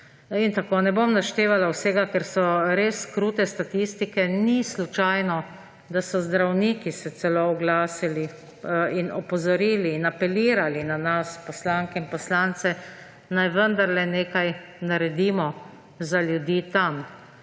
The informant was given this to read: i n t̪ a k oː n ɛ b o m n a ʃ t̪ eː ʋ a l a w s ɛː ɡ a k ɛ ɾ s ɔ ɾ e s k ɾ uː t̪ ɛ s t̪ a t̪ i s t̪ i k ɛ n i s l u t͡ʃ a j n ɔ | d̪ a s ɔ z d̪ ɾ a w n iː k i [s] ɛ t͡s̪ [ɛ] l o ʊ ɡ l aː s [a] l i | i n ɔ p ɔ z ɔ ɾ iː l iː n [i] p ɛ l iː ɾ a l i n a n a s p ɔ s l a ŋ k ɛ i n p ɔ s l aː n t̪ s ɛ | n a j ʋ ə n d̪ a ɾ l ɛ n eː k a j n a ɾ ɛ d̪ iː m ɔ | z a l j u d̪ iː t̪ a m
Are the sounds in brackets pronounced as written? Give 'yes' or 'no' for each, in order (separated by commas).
yes, yes, no, no